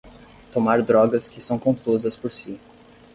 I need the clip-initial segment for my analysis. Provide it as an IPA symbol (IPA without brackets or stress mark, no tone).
t̪